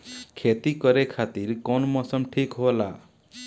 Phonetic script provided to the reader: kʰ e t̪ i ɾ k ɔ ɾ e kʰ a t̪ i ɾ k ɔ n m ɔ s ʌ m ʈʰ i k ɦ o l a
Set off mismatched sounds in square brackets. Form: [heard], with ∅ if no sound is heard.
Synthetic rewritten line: kʰ e t̪ i [∅] k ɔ ɾ e kʰ a t̪ i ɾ k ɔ n m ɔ s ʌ m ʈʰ i k ɦ o l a